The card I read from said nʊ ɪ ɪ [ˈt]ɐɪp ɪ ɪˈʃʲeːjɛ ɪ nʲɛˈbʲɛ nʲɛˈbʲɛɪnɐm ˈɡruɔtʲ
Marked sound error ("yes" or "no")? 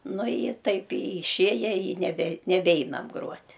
no